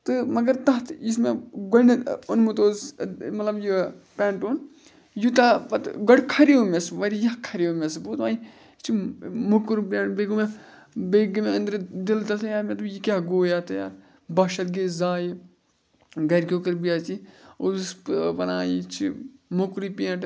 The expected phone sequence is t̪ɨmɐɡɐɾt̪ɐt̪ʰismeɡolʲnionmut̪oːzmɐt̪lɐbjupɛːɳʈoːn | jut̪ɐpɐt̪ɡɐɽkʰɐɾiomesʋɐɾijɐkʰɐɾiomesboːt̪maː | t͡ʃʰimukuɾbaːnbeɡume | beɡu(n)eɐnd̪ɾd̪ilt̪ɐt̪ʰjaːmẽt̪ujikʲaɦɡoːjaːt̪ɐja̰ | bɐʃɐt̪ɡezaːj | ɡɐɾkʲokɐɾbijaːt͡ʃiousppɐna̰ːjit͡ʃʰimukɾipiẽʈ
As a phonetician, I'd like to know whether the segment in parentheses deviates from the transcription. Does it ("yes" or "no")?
yes